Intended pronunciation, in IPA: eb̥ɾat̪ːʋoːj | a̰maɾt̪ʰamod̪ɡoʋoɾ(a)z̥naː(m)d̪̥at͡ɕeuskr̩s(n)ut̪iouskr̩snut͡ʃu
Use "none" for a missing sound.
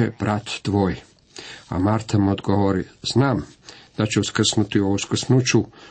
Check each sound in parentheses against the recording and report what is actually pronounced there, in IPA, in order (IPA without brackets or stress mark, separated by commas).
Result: i, m, n